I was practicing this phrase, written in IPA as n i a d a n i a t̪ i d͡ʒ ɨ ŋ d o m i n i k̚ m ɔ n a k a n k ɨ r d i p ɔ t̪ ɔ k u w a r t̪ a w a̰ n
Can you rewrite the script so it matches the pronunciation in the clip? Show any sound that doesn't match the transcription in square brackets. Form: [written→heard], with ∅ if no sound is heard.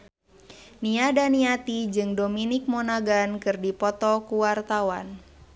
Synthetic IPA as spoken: n i a d a n i a t̪ i d͡ʒ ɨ ŋ d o m i n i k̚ m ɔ n a [k→ɡ] a n k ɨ r d i p ɔ t̪ ɔ k u w a r t̪ a w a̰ n